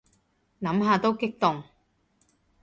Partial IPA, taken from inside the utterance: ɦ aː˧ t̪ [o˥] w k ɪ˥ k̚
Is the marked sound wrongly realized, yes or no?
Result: no